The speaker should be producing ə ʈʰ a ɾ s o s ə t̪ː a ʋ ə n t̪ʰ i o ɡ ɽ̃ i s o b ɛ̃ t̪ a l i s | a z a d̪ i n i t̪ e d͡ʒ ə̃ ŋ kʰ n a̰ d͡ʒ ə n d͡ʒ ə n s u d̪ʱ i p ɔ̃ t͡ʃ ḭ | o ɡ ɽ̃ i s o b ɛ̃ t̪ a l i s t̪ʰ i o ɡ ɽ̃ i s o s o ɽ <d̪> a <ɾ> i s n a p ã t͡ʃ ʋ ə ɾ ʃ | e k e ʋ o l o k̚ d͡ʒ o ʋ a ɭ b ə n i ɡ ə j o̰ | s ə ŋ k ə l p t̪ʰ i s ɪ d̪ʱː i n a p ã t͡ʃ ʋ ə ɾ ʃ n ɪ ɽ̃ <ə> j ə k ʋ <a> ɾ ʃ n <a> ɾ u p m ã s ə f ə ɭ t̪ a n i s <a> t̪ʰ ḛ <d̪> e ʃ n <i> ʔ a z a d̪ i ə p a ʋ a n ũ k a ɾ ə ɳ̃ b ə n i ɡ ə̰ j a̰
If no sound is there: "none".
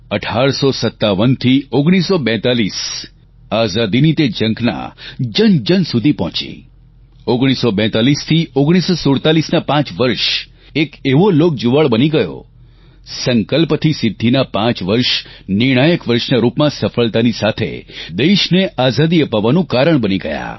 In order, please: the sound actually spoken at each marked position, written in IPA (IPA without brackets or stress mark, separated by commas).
t̪, l, a, ə, a, a, d̪, e